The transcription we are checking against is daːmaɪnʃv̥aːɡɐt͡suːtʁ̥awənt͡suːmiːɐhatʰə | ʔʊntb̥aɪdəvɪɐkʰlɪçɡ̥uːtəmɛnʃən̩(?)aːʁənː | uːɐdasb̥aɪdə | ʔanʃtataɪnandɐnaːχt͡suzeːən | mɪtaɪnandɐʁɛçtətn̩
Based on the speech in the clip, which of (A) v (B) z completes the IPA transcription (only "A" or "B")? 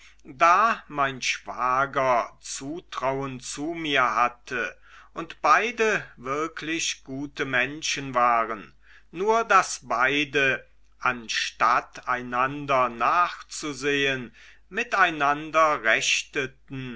A